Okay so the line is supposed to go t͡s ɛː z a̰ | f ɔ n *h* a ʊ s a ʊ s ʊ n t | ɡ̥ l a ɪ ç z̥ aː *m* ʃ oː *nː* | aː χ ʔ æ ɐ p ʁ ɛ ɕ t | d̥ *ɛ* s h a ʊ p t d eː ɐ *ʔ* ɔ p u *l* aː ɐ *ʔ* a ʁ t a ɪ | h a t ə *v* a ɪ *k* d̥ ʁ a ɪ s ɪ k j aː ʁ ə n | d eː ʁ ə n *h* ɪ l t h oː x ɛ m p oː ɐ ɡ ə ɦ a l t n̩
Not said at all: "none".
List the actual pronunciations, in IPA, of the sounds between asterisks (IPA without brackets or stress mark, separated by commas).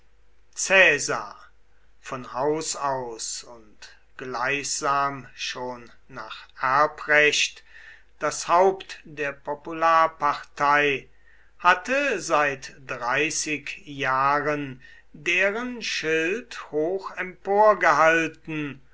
h, m, nː, a, p, l, p, z, t, ʃ